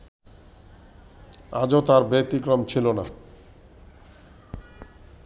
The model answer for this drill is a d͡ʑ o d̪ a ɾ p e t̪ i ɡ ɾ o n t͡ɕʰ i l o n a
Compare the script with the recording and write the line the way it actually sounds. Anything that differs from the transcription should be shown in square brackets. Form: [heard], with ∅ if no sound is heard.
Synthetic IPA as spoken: a d͡ʑ o [t̪] a ɾ [b] e t̪ i [k] ɾ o [m] t͡ɕʰ i l o n a